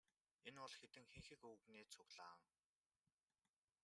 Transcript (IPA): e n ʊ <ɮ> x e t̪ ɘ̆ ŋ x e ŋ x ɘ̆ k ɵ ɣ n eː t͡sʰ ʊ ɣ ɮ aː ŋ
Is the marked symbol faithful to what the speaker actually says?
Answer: yes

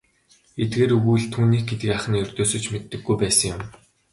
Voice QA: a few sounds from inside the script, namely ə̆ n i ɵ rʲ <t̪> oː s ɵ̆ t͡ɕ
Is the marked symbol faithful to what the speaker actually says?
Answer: yes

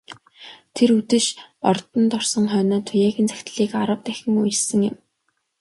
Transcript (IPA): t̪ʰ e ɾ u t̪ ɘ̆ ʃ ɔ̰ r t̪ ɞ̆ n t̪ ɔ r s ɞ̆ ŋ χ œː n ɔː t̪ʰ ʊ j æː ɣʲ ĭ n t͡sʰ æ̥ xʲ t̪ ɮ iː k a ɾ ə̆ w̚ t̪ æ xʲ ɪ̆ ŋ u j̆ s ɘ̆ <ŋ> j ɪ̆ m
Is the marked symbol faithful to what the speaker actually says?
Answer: yes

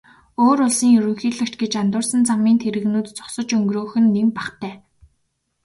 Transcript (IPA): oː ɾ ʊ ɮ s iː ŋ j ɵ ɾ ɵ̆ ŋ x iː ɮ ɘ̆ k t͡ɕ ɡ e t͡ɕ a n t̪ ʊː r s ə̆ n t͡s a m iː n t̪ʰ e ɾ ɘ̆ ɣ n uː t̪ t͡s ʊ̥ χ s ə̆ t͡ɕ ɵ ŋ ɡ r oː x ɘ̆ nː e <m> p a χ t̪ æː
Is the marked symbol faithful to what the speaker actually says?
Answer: yes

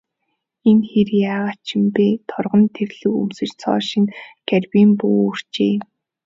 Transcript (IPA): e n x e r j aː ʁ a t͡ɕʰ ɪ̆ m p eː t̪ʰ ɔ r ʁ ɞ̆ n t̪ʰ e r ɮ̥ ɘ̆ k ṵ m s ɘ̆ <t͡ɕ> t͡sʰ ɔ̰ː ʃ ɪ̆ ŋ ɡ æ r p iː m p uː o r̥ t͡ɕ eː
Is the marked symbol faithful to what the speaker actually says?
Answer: yes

